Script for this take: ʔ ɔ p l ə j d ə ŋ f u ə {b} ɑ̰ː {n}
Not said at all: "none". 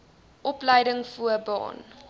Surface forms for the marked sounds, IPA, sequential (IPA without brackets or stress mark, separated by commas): b, n